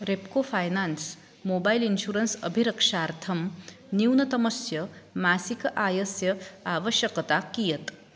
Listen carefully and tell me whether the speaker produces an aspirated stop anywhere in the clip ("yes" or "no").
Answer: yes